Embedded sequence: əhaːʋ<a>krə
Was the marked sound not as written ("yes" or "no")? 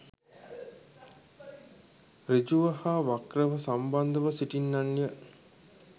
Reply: no